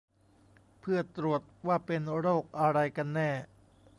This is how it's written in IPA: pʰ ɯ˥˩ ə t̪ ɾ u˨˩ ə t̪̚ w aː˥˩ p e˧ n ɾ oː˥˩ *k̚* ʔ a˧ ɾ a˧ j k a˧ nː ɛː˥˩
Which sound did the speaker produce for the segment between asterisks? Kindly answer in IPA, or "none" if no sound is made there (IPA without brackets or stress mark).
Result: k̚